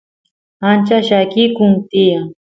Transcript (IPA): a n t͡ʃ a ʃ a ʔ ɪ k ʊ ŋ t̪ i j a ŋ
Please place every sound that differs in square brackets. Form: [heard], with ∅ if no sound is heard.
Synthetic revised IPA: a n t͡ʃ a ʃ a [k] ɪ k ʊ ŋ t̪ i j a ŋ